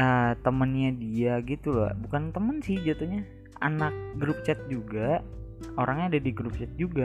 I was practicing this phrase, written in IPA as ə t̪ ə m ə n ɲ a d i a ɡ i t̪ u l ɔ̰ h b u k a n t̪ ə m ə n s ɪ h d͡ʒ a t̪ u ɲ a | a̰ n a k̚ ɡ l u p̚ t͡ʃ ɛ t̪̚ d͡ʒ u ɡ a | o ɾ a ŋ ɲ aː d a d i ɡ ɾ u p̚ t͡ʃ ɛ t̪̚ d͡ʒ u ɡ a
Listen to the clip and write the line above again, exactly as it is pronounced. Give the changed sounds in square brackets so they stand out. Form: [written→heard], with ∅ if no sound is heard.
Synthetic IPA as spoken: ə t̪ ə m ə n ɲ a d i a ɡ i t̪ u l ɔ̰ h b u k a n t̪ ə m ə n s ɪ h d͡ʒ a t̪ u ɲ a | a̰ n a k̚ ɡ [l→ɾ] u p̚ t͡ʃ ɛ t̪̚ d͡ʒ u ɡ a | o ɾ a ŋ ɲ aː d a d i ɡ ɾ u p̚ t͡ʃ ɛ t̪̚ d͡ʒ u ɡ a